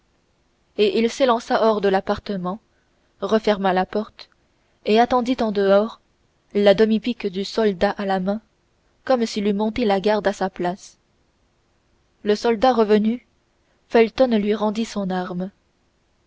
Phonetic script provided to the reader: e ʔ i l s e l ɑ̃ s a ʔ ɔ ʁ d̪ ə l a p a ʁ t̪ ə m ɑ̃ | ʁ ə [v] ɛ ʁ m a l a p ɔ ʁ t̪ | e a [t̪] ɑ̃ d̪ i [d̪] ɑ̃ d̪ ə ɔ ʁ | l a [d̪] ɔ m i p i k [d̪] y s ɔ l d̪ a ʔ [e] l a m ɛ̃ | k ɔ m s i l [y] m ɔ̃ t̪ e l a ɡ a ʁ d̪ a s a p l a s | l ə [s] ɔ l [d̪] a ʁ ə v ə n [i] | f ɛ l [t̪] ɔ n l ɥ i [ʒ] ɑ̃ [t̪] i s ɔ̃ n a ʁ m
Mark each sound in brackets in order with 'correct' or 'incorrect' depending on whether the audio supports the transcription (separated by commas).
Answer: incorrect, correct, incorrect, correct, correct, incorrect, correct, correct, correct, incorrect, correct, incorrect, incorrect